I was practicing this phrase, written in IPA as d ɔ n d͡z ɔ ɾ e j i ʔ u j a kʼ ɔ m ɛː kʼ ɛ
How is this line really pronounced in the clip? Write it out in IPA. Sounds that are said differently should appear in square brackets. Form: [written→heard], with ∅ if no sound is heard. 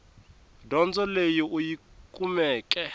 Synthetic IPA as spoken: d ɔ n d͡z ɔ [ɾ→l] e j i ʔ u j [a→i] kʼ [ɔ→u] m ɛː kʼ ɛ